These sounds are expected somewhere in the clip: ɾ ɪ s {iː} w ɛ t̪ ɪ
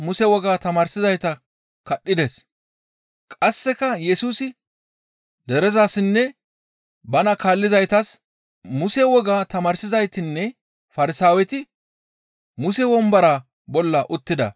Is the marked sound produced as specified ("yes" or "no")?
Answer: no